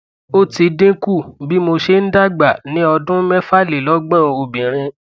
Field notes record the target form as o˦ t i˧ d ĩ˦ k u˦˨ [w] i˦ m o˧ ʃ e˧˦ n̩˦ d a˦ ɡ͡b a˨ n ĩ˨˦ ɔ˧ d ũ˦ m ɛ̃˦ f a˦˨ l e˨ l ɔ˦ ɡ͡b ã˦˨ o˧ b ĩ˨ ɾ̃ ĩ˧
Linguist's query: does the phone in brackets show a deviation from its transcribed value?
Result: yes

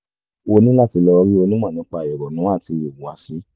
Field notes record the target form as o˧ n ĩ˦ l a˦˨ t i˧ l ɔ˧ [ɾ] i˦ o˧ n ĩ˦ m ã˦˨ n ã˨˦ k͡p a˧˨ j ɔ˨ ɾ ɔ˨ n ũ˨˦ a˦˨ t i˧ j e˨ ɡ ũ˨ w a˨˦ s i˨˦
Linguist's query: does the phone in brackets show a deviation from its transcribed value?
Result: no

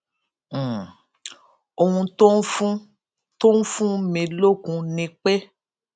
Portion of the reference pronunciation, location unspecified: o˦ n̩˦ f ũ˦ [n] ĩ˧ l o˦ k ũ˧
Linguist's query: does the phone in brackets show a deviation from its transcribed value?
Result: yes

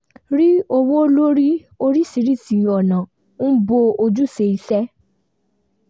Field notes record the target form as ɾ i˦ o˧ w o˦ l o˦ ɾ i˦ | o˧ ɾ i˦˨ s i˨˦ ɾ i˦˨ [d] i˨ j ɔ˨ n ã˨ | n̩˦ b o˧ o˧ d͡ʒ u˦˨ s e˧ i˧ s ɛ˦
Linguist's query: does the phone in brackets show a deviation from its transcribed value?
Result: yes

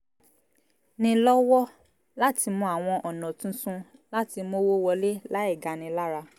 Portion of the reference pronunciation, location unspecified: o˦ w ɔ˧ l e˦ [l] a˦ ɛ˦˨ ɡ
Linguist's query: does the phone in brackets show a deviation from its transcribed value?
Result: no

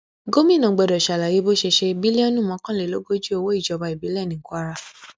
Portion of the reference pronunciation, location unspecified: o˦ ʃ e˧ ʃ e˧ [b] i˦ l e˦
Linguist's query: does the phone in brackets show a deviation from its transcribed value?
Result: no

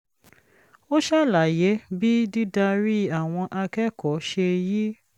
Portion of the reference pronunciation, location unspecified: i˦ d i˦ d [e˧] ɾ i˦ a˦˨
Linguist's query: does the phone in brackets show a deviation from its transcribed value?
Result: yes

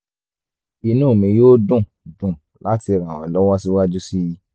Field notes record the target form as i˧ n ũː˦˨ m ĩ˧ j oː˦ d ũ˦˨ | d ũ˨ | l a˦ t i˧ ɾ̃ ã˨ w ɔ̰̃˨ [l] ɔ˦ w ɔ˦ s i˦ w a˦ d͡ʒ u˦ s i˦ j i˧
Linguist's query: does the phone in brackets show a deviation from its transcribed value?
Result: no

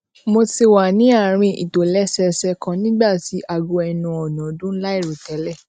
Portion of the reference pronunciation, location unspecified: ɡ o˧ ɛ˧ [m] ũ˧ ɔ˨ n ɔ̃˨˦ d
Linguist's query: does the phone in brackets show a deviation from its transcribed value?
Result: yes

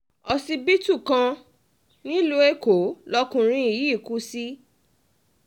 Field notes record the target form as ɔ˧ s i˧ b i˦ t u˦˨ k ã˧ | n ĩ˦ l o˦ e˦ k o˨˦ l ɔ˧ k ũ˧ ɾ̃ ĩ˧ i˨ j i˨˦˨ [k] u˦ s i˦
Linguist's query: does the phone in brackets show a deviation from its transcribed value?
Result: no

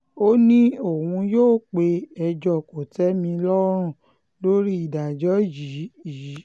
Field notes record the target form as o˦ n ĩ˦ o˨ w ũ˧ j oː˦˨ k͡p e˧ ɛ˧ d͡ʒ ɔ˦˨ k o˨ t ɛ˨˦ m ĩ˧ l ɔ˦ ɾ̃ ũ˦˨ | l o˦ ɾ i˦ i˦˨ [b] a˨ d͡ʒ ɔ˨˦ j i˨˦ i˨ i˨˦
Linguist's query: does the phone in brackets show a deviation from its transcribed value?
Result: yes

